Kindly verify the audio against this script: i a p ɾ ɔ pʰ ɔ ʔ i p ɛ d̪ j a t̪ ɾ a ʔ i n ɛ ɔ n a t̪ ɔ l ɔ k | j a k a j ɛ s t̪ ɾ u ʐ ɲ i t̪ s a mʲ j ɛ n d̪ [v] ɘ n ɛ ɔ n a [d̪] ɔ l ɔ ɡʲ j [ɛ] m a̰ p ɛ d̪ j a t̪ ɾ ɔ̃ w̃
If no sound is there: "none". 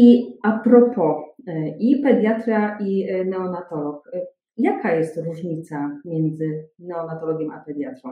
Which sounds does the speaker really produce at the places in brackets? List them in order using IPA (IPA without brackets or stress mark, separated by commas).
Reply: z, t̪, ɛ